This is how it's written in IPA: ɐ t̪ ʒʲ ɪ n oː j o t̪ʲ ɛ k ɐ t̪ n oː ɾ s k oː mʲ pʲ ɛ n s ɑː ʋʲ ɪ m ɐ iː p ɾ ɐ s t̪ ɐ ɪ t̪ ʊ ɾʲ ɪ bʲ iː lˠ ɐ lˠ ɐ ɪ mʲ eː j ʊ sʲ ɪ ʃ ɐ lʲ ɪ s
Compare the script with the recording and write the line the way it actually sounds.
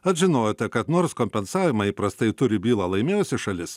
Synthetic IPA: ɐ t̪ ʒʲ ɪ n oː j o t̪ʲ ɛ k ɐ t̪ n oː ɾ s k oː mʲ pʲ ɛ n s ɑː ʋʲ ɪ m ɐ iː p ɾ ɐ s t̪ ɐ ɪ t̪ ʊ ɾʲ ɪ bʲ iː lˠ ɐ lˠ ɐ ɪ mʲ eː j ʊ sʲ ɪ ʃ ɐ lʲ ɪ s